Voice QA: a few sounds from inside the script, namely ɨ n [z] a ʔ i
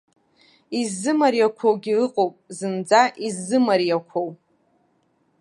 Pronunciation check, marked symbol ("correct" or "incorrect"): incorrect